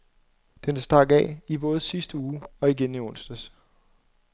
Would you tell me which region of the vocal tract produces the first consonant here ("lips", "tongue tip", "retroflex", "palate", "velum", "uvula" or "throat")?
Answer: tongue tip